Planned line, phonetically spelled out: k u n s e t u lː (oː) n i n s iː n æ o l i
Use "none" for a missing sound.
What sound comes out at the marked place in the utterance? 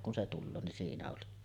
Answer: oː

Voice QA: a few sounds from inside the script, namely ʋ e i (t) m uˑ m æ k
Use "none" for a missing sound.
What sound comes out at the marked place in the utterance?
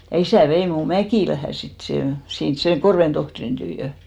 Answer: none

